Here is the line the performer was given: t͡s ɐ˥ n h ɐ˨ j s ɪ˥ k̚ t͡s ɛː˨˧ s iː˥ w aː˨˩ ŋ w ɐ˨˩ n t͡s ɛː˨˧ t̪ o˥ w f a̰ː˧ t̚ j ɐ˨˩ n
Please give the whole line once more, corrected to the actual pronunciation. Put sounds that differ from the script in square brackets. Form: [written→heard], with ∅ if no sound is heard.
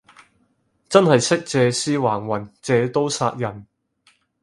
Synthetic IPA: t͡s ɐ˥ n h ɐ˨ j s ɪ˥ k̚ t͡s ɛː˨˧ s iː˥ w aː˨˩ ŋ w ɐ˨˩ n t͡s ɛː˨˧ t̪ o˥ w [f→s] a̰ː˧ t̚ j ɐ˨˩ n